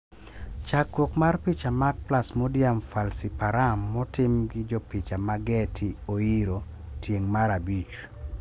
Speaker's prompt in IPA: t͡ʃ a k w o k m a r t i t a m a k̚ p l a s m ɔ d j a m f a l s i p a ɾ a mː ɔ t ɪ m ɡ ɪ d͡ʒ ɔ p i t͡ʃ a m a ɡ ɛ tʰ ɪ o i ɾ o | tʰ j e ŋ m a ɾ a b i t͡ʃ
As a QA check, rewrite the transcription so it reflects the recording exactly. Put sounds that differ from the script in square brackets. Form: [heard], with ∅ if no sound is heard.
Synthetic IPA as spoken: t͡ʃ a k w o k m a r [p] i [t͡ʃ] a m a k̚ p l a s m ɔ d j a m f a l s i p a ɾ a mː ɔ t ɪ m ɡ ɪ d͡ʒ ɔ p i t͡ʃ a m a ɡ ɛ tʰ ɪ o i ɾ o | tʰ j e ŋ m a ɾ a b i t͡ʃ